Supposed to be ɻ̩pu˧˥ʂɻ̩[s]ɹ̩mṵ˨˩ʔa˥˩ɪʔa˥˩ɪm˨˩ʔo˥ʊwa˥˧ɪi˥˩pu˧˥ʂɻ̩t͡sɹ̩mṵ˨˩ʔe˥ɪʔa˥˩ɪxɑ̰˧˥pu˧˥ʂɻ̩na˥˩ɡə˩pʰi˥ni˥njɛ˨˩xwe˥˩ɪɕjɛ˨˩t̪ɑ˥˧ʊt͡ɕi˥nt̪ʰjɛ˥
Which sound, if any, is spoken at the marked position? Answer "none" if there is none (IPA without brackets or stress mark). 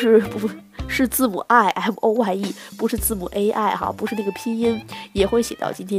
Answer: t͡s